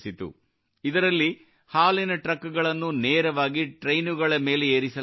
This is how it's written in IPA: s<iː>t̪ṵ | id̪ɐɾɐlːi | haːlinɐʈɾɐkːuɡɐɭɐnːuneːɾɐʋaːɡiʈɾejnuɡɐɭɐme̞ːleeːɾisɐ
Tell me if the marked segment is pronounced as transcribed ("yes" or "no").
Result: no